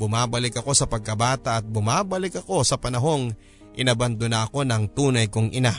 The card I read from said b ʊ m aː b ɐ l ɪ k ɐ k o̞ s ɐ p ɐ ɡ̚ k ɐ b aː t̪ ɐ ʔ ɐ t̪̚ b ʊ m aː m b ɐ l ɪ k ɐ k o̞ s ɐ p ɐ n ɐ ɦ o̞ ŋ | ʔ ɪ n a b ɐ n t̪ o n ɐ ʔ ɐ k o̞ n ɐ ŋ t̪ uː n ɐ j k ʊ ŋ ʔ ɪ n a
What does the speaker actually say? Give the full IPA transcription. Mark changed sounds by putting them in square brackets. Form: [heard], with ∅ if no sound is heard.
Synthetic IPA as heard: b ʊ m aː b ɐ l ɪ k ɐ k o̞ s ɐ p ɐ ɡ̚ k ɐ b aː t̪ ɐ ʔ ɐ t̪̚ b ʊ m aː [∅] b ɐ l ɪ k ɐ k o̞ s ɐ p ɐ n ɐ ɦ o̞ ŋ | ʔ ɪ n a b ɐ n [d̪] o n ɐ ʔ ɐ k o̞ n ɐ ŋ t̪ uː n ɐ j k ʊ ŋ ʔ ɪ n a